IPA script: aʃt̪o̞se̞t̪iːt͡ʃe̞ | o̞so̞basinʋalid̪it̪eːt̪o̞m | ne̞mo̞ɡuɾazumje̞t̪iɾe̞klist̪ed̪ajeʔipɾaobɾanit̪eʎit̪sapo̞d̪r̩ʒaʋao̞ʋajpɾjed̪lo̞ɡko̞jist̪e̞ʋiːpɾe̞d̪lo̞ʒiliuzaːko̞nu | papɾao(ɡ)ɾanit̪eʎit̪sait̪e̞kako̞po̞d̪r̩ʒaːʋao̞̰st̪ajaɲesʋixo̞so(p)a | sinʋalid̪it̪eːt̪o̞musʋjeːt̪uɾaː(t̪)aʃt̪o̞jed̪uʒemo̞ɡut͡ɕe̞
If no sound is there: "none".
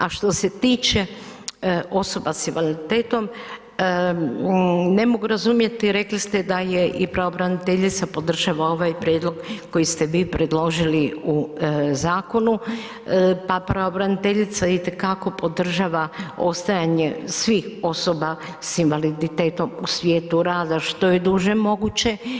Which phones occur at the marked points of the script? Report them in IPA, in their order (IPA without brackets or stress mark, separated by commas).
b, b, d̪